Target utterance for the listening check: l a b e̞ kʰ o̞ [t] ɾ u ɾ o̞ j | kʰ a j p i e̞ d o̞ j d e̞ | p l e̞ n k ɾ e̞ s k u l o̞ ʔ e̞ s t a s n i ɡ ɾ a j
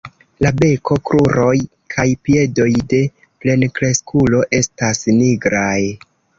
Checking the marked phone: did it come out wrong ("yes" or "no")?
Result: yes